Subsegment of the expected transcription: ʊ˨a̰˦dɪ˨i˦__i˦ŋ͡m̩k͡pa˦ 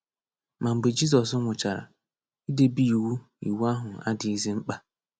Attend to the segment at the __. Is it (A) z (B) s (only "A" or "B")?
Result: A